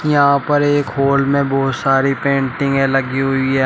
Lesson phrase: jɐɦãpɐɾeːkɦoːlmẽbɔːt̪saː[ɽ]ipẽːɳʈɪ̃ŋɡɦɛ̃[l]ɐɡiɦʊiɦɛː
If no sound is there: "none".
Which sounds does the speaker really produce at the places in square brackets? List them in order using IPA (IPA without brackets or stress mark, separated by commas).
ɾ, l